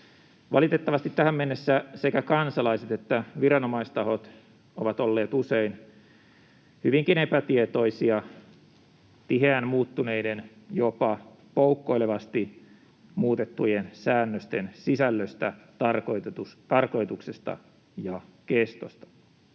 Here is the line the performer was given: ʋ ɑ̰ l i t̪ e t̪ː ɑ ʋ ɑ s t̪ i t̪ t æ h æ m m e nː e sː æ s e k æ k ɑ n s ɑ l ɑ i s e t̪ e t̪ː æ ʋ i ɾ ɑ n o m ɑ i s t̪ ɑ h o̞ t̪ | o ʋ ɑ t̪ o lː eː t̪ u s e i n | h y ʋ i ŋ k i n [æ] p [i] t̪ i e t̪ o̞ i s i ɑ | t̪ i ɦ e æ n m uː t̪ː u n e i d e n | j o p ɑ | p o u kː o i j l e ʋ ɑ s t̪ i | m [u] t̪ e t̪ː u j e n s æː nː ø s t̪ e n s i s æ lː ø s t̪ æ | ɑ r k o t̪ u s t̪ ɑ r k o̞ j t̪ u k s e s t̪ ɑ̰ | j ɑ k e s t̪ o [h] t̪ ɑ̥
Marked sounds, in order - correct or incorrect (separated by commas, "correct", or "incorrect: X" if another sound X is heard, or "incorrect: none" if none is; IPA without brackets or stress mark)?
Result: incorrect: e, incorrect: æ, incorrect: uː, incorrect: s